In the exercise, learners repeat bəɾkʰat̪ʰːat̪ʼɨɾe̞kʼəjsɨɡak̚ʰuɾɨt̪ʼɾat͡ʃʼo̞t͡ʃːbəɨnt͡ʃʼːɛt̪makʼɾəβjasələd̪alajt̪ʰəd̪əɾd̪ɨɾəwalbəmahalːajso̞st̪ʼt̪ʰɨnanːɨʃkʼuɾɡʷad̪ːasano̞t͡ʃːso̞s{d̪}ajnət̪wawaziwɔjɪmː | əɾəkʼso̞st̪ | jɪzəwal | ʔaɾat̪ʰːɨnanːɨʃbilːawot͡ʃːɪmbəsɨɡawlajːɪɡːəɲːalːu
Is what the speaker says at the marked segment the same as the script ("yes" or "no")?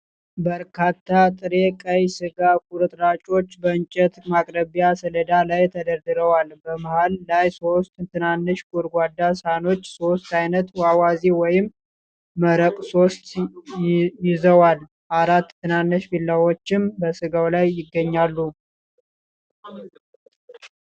no